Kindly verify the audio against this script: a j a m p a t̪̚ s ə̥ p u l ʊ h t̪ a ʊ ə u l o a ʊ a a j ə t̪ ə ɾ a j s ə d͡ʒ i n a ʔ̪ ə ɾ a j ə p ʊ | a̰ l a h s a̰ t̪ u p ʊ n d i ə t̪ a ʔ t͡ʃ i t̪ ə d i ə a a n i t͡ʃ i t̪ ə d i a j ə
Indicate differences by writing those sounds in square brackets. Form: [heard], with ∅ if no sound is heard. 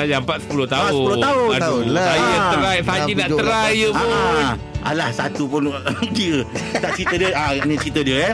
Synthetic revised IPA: a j a m p a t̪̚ s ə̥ p u l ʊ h t̪ a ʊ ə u l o a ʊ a a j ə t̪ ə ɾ a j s [a] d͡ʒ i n a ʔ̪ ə ɾ a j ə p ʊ | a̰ l a h s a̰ t̪ u p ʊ n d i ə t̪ a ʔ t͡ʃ i t̪ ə d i ə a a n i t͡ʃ i t̪ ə d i [ə] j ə